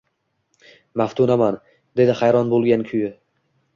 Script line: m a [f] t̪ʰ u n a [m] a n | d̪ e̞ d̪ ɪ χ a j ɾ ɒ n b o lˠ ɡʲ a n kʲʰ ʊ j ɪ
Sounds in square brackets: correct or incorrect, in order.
correct, correct

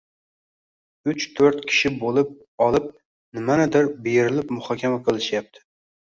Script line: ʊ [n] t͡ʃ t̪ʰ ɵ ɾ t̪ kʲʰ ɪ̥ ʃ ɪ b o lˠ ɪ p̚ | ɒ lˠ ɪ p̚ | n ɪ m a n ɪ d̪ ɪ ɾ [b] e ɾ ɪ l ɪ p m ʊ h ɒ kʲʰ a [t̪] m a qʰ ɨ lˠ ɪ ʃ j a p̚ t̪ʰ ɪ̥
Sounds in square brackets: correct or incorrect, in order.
incorrect: none, correct, incorrect: none

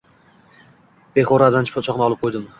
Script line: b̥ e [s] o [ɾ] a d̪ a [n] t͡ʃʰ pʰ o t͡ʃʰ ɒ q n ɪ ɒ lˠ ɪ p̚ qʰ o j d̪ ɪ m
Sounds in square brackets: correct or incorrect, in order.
incorrect: χ, correct, correct

